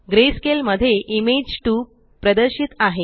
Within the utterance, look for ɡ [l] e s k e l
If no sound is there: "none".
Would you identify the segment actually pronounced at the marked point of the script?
ɾ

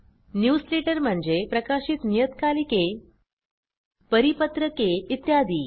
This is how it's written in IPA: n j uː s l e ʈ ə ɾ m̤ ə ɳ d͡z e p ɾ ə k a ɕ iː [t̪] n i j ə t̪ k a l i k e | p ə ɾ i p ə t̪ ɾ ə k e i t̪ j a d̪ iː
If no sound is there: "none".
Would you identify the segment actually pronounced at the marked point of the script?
t̪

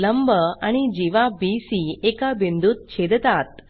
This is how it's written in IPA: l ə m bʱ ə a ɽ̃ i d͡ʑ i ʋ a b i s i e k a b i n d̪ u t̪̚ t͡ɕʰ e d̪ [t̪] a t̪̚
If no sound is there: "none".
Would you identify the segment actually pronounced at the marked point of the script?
t̪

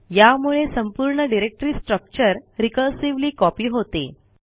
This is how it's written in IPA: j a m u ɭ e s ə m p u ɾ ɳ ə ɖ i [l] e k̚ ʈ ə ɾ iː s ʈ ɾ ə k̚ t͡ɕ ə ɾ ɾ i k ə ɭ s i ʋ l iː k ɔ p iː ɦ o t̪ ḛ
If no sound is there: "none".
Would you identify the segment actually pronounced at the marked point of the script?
ɾ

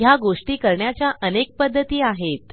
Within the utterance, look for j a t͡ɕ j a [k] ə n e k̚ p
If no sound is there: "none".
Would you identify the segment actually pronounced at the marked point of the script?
ʔ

